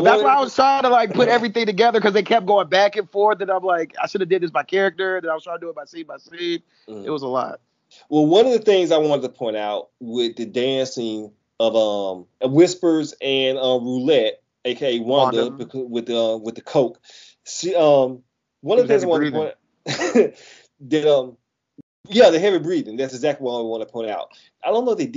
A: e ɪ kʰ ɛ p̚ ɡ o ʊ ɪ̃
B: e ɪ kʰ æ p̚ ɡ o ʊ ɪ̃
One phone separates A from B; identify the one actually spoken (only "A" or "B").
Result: A